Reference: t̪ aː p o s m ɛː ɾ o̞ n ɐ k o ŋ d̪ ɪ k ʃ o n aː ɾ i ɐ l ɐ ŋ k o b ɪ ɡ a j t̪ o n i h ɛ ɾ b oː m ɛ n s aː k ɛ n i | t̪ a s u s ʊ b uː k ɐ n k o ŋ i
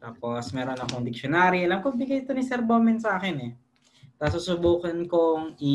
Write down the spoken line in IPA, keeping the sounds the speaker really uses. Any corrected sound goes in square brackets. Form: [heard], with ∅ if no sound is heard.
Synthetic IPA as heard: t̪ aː p o s m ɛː ɾ o̞ n ɐ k o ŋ d̪ ɪ k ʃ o n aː ɾ i ɐ l ɐ [m] k o b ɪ ɡ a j t̪ o n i [s] ɛ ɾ b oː m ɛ n s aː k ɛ n [ɛ] | t̪ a s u s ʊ b uː k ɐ n k o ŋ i